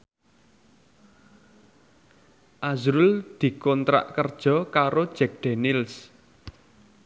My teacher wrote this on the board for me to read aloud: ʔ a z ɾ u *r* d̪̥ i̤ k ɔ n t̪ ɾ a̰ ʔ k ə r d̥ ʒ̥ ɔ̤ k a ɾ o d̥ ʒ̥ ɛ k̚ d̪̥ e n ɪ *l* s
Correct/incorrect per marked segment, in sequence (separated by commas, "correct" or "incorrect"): incorrect, correct